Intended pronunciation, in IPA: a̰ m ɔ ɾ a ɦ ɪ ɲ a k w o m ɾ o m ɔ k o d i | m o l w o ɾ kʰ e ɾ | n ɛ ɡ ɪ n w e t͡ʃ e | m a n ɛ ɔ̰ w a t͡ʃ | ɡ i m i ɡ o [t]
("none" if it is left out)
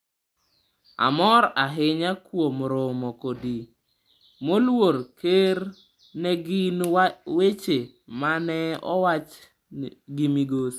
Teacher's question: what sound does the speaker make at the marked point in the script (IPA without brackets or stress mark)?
s